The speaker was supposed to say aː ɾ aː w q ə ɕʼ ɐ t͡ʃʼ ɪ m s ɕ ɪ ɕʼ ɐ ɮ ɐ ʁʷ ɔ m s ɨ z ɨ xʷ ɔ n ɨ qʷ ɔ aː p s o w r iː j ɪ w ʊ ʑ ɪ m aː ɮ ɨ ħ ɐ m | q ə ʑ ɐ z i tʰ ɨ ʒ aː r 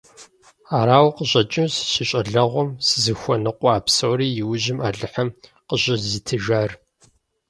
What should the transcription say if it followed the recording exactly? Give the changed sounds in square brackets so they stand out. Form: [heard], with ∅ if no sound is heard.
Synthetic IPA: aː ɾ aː w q ə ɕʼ ɐ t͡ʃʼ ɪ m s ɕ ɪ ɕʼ ɐ ɮ ɐ ʁʷ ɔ m s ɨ z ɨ xʷ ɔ n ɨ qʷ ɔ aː p s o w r iː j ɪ w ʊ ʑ ɪ m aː ɮ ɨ ħ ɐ m | q ə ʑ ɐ z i tʰ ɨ ʒ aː r